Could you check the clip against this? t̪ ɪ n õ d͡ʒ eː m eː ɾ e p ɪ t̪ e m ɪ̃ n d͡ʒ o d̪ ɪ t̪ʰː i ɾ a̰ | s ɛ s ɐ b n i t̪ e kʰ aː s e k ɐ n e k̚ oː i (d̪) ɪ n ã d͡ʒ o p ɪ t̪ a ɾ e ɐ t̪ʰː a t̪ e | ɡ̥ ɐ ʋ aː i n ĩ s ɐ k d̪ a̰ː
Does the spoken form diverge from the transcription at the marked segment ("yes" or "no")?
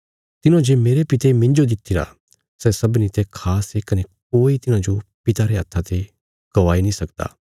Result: yes